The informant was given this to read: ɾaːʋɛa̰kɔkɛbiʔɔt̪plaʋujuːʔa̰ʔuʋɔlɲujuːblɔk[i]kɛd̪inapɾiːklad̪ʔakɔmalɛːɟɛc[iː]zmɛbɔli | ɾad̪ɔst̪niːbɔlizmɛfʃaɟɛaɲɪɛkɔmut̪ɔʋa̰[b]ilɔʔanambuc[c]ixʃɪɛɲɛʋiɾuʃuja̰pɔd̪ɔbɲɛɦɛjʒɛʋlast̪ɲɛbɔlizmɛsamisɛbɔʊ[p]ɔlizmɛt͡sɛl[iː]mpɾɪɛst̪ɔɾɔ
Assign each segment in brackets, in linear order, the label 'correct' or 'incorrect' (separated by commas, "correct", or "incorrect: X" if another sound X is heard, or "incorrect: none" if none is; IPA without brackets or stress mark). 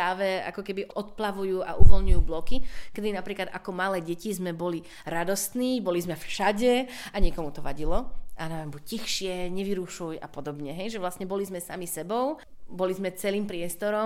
correct, incorrect: i, incorrect: ɟ, correct, incorrect: b, correct